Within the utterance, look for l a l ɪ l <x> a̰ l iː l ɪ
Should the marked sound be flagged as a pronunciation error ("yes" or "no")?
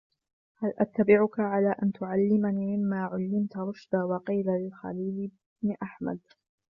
no